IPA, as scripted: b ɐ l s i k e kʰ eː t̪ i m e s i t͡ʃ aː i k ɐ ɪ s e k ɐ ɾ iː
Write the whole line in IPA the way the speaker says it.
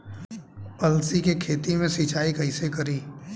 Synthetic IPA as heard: p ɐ l s i k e kʰ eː t̪ i m ẽ s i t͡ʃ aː i k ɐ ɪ s e k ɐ ɾ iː